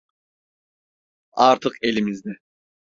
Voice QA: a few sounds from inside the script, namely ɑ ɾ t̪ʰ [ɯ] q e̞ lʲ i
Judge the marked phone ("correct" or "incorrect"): correct